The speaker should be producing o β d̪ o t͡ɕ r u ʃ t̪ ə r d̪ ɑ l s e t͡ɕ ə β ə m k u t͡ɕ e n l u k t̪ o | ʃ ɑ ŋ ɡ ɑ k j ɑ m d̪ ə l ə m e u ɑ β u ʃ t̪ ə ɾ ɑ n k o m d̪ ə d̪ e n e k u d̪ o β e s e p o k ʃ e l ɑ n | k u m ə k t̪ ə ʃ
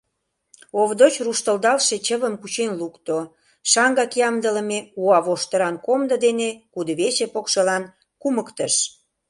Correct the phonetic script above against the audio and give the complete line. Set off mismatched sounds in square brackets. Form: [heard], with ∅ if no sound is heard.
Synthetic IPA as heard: o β d̪ o t͡ɕ r u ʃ t̪ ə [l] d̪ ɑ l [ʃ] e t͡ɕ ə β ə m k u t͡ɕ e n l u k t̪ o | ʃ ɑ ŋ ɡ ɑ k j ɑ m d̪ ə l ə m e u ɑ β [o] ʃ t̪ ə ɾ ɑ n k o m d̪ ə d̪ e n e k u d̪ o β e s e p o k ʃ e l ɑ n | k u m ə k t̪ ə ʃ